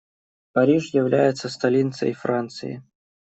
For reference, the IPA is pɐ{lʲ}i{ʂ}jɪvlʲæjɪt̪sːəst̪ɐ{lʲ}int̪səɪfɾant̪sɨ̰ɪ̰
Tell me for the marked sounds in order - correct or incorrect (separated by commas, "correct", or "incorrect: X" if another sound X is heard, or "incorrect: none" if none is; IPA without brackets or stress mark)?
incorrect: ɾʲ, correct, correct